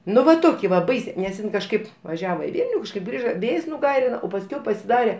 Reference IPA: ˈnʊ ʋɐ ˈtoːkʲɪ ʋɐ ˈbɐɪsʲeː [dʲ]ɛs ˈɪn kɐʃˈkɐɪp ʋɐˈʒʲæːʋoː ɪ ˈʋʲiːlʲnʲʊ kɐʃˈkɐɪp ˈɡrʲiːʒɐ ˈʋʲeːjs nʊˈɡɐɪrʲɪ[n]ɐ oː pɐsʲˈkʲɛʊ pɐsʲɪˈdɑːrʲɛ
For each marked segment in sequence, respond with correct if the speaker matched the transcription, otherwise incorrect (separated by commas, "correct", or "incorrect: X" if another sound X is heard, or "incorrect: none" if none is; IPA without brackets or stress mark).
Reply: incorrect: nʲ, correct